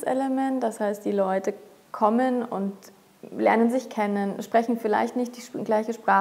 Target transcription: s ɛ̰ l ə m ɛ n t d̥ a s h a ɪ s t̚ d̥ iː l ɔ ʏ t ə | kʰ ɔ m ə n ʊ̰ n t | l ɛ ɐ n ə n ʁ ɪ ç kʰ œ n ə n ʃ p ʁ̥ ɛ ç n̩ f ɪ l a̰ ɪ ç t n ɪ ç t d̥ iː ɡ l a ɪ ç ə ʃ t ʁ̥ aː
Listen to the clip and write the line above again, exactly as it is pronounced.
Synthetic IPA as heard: s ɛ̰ l ə m ɛ n t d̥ a s h a ɪ s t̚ d̥ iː l ɔ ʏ t ə | kʰ ɔ m ə n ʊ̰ n t | l ɛ ɐ n ə n z ɪ ç kʰ ɛ n ə n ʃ p ʁ̥ ɛ ç n̩ f ɪ l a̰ ɪ ç t n ɪ ç t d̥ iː ɡ l a ɪ ç ə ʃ p ʁ̥ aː